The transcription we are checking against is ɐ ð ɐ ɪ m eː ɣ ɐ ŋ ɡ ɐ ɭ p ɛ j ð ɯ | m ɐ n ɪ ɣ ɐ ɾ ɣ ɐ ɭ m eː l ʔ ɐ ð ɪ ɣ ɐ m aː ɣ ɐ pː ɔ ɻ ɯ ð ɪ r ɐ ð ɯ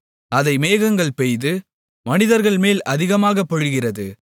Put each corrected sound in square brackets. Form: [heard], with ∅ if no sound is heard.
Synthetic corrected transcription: ɐ ð ɐ ɪ m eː ɣ ɐ ŋ ɡ ɐ ɭ p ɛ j ð ɯ | m ɐ n ɪ [ð] ɐ ɾ ɣ ɐ ɭ m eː l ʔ ɐ ð ɪ ɣ ɐ m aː ɣ ɐ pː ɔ ɻ ɯ [ɣ] ɪ r ɐ ð ɯ

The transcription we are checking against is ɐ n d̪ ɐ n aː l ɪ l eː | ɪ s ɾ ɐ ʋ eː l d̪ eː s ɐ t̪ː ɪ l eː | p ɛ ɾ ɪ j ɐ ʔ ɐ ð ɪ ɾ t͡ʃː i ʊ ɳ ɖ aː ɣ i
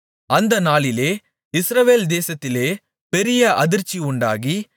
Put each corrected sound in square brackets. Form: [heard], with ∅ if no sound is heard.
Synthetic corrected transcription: ɐ n d̪ ɐ n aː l ɪ l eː | ɪ s ɾ ɐ ʋ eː l d̪ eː s ɐ t̪ː ɪ l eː | p ɛ ɾ ɪ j ɐ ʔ ɐ ð ɪ ɾ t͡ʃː i ʊ ɳ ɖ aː ɣ i

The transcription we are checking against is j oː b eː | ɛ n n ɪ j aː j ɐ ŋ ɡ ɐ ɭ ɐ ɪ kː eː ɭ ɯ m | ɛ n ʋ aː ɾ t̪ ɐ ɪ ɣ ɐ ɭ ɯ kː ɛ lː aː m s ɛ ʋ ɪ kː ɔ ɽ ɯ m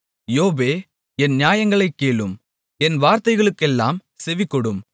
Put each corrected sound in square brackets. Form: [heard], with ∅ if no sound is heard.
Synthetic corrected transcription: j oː b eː | ɛ n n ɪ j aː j ɐ ŋ ɡ ɐ ɭ ɐ ɪ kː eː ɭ ɯ m | ɛ n ʋ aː ɾ t̪ ɐ ɪ ɣ ɐ ɭ ɯ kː ɛ lː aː m s ɛ ʋ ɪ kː ɔ ɽ ɯ m

